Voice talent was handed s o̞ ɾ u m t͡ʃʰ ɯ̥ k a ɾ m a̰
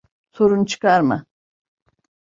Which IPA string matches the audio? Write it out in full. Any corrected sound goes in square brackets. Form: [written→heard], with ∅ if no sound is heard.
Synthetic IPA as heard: s o̞ ɾ u [m→n] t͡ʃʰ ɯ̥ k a ɾ m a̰